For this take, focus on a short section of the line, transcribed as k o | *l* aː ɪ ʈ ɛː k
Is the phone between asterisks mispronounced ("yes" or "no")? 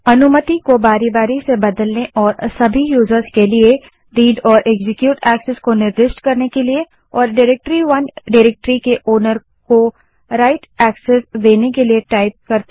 yes